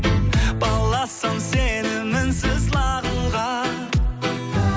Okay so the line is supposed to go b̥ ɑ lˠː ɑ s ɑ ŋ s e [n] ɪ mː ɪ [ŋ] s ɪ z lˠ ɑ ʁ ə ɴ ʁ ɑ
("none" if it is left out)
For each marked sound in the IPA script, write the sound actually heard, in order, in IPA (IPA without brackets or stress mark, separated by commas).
n, n